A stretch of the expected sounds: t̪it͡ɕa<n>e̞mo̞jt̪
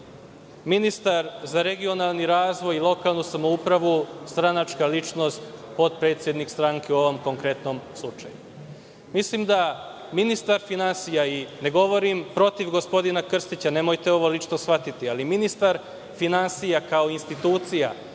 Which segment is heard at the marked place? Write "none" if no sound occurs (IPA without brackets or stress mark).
n